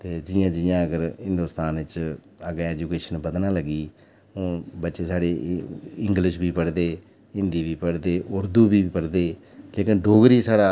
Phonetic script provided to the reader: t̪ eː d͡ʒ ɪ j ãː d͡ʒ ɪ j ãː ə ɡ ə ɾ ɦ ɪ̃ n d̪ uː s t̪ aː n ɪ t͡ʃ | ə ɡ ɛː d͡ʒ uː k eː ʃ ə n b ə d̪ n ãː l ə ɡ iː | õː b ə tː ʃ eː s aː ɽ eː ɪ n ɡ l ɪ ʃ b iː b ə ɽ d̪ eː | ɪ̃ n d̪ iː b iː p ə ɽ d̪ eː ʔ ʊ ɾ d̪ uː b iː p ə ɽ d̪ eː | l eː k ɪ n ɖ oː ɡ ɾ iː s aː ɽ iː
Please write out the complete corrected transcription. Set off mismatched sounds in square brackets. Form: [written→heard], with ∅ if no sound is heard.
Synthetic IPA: t̪ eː d͡ʒ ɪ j ãː d͡ʒ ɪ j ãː ə ɡ ə ɾ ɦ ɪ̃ n d̪ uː s t̪ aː n ɪ t͡ʃ | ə ɡ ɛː d͡ʒ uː k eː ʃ ə n b ə d̪ n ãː l ə ɡ iː | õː b ə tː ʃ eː s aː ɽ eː ɪ [n→ŋ] ɡ l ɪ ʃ b iː [b→p] ə ɽ d̪ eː | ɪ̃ n d̪ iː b iː p ə ɽ d̪ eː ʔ ʊ ɾ d̪ uː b iː p ə ɽ d̪ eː | l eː k ɪ n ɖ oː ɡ ɾ iː s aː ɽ [iː→aː]